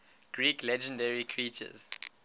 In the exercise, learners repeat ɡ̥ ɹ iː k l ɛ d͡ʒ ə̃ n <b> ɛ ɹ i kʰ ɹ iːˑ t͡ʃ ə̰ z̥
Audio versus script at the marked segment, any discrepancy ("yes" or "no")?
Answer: yes